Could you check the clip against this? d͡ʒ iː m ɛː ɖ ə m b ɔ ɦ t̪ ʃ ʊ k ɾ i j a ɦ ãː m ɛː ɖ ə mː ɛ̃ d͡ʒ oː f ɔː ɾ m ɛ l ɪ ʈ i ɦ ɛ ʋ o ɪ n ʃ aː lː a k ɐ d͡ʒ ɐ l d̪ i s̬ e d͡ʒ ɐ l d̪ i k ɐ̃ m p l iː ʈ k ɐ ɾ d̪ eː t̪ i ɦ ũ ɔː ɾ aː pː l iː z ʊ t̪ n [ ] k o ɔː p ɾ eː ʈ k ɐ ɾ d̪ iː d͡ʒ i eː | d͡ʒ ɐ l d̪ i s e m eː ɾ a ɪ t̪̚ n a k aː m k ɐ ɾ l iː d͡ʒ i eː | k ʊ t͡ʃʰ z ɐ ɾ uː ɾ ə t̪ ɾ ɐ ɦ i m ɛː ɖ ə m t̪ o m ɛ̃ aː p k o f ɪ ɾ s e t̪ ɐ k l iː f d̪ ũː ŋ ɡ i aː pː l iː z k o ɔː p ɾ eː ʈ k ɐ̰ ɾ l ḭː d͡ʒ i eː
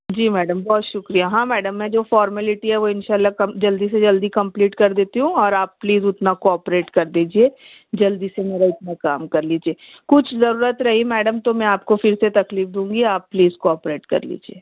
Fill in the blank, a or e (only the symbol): a